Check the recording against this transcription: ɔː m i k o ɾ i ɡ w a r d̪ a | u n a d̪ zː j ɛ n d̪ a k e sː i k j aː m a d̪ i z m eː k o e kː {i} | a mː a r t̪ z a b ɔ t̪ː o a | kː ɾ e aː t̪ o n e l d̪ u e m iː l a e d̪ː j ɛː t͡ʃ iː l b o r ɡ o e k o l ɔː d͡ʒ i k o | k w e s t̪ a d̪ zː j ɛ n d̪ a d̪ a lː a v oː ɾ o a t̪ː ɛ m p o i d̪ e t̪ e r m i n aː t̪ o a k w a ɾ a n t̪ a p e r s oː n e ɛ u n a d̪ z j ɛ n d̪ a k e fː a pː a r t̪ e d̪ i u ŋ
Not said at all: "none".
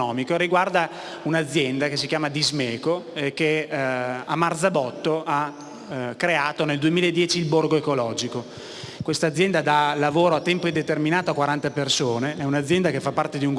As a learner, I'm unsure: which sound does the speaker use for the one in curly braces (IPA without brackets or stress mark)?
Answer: e